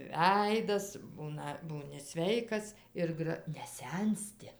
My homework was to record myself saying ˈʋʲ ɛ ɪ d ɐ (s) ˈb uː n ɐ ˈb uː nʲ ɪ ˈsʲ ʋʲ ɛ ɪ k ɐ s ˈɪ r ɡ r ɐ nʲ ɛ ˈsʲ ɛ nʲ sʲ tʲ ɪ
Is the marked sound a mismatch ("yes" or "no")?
no